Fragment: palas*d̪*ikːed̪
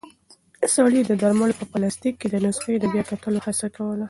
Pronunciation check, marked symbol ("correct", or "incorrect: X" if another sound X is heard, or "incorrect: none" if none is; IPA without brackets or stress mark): incorrect: t̪